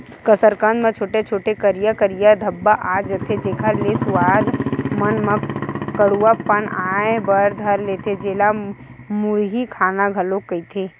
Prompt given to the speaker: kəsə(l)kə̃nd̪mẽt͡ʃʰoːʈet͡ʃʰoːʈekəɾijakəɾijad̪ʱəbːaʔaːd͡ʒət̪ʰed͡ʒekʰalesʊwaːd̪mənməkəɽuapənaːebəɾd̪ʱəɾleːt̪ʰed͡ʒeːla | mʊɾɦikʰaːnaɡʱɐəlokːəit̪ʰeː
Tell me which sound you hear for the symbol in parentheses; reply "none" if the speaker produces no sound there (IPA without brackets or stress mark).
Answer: ɾ